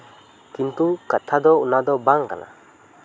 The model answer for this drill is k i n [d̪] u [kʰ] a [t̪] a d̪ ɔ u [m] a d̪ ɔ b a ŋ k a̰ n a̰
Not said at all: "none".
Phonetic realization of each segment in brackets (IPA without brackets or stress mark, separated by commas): t̪, k, t̪ʰ, n